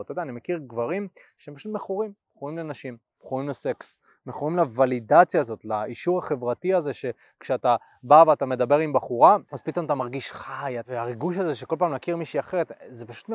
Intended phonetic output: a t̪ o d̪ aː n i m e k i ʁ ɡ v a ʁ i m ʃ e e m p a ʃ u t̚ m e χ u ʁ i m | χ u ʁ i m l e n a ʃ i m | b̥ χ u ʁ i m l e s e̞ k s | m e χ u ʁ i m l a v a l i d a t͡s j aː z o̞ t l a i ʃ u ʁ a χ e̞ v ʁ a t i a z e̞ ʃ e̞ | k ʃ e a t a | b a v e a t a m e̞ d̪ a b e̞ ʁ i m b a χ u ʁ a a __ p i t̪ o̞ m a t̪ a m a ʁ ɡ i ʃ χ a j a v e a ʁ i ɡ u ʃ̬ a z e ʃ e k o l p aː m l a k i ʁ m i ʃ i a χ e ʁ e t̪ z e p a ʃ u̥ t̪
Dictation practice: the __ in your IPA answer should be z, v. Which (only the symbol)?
z